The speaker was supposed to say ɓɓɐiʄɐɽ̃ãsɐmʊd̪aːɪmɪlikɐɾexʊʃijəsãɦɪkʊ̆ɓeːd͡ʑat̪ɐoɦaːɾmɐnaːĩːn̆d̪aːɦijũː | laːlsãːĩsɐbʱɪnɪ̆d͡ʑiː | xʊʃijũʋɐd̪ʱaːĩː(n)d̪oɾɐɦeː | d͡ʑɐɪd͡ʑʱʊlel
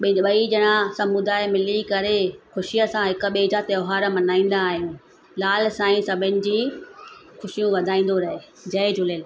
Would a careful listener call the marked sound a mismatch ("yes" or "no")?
no